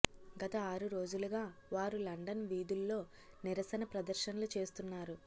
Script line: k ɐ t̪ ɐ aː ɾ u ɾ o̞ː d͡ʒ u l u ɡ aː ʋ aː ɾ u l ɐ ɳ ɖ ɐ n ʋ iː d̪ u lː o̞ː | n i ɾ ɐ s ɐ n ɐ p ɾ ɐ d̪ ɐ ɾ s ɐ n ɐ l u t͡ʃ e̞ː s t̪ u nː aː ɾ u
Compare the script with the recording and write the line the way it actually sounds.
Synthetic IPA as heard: ɡ ɐ t̪ ɐ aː ɾ u ɾ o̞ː d͡ʒ u l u ɡ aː ʋ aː ɾ u l ɐ ɳ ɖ ɐ n ʋ iː d̪ u lː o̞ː | n i ɾ ɐ s ɐ n ɐ p ɾ ɐ d̪ ɐ ɾ ʃ ɐ n ɐ l u t͡ʃ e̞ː s t̪ u nː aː ɾ u